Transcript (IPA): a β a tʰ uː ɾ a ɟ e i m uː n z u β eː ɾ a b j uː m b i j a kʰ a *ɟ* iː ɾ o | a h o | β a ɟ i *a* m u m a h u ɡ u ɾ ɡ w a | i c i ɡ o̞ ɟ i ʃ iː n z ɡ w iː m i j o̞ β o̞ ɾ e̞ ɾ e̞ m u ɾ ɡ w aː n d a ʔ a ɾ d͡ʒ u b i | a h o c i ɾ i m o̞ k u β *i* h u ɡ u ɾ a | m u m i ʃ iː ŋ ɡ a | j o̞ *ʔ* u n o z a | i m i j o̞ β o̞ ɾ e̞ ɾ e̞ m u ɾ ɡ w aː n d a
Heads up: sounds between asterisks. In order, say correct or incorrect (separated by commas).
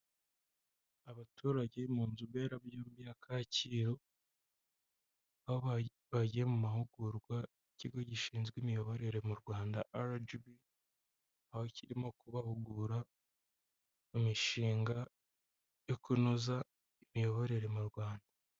incorrect, incorrect, incorrect, incorrect